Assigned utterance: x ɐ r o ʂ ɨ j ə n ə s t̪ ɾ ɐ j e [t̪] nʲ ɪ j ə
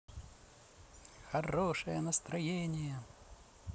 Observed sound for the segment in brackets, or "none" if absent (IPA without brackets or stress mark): none